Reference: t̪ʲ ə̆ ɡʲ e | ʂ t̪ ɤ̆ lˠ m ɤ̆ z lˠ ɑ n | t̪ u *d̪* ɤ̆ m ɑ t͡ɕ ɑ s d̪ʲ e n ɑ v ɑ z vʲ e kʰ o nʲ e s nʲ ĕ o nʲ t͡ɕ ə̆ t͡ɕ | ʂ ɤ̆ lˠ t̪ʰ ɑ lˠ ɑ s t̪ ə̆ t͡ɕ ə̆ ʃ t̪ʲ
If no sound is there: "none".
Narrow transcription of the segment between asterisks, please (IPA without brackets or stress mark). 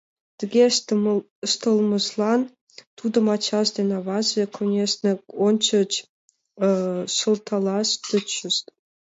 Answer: d̪